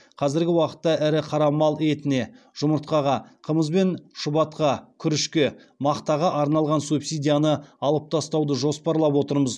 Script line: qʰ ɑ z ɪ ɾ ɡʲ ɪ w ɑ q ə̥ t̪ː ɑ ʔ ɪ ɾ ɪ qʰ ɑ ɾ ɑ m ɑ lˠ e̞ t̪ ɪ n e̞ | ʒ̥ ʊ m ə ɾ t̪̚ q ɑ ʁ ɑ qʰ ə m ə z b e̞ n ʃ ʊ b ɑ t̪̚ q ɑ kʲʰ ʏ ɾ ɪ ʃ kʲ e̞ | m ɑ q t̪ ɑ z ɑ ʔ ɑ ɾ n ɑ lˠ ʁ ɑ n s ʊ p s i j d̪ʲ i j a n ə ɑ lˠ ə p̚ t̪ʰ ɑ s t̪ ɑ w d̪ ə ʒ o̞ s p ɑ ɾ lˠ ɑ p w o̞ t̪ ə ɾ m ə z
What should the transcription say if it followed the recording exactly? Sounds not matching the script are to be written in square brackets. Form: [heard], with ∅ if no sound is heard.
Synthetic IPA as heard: qʰ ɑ z ɪ ɾ ɡʲ ɪ w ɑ q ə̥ t̪ː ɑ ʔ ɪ ɾ ɪ qʰ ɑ ɾ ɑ m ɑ lˠ e̞ t̪ ɪ n e̞ | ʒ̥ ʊ m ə ɾ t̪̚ q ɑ ʁ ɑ qʰ ə m ə z b e̞ n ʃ ʊ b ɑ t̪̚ q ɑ kʲʰ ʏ ɾ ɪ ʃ kʲ e̞ | m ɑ q t̪ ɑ [ʁ] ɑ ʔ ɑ ɾ n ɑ lˠ ʁ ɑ n s [u] p s i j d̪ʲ i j a n ə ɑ lˠ ə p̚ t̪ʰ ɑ s t̪ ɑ w d̪ ə ʒ o̞ s p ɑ ɾ lˠ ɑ p w o̞ t̪ ə ɾ m ə z